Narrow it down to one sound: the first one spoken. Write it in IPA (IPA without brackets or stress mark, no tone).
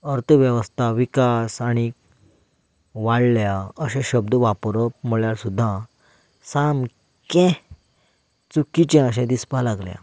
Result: ə